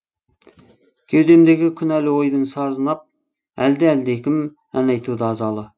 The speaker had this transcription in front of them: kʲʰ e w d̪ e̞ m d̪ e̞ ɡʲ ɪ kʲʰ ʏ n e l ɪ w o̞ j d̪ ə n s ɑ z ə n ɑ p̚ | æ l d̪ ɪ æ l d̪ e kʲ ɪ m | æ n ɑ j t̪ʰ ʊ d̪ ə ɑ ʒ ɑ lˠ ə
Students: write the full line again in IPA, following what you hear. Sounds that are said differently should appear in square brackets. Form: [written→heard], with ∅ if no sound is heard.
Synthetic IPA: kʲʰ e w d̪ e̞ m d̪ e̞ ɡʲ ɪ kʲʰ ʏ n [e→æ] l ɪ w o̞ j d̪ ə n s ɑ z ə n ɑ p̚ | æ l d̪ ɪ æ l d̪ e kʲ ɪ m | æ n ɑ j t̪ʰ [ʊ→u] d̪ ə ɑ [ʒ→z] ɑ lˠ ə